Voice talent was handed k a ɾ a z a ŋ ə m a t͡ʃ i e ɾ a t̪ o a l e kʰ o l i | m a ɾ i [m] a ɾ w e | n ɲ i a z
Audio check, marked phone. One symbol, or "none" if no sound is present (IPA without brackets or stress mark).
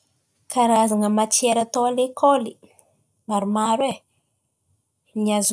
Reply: m